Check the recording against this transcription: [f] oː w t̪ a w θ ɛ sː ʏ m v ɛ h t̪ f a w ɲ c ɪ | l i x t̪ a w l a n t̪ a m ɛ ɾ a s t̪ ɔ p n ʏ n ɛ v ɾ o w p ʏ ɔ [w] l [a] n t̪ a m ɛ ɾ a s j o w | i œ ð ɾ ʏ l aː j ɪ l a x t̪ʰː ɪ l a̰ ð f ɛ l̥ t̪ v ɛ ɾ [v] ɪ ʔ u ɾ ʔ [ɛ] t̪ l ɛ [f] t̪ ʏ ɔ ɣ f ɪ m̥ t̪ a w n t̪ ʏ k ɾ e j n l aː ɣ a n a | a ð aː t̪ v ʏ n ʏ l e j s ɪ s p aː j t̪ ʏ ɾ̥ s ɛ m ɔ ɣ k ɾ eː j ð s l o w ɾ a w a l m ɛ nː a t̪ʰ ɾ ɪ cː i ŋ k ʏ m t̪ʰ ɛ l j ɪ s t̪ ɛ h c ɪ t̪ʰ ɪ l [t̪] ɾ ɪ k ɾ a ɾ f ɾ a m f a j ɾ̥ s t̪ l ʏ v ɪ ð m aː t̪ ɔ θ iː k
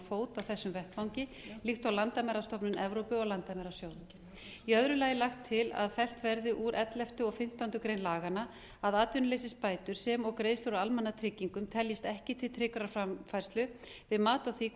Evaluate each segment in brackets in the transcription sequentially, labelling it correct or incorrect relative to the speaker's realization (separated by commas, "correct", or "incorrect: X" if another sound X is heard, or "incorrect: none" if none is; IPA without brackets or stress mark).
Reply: correct, incorrect: ɣ, correct, incorrect: ð, correct, correct, incorrect: t̪ʰ